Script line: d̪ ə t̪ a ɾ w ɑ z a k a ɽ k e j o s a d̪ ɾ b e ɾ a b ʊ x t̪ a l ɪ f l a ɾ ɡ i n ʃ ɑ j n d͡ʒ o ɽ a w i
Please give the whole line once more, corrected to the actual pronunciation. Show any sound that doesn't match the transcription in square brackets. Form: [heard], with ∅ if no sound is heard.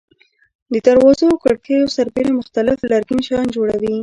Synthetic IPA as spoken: d̪ ə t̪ a ɾ w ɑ z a k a ɽ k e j o s a [∅] ɾ b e ɾ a [m] ʊ x t̪ a l ɪ f l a ɾ ɡ i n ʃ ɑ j n d͡ʒ o ɽ a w i